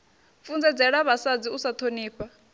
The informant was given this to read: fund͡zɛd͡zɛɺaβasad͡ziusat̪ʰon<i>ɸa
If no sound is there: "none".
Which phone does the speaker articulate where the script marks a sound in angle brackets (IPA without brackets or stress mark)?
iː